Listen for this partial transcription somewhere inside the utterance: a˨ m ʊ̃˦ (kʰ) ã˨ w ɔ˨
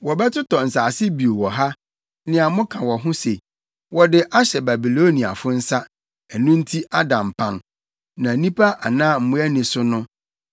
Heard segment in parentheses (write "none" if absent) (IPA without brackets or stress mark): kʰ